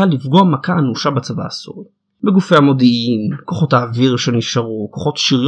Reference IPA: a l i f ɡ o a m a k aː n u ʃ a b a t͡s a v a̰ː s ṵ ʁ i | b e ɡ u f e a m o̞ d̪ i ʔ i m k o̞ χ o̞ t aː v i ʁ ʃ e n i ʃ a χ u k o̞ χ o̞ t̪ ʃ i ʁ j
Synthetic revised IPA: a l i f ɡ o a m a k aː n u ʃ a b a t͡s a v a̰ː s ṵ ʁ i | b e ɡ u f e a m o̞ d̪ i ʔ i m k o̞ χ o̞ t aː v i ʁ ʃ e n i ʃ a ʁ u k o̞ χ o̞ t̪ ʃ i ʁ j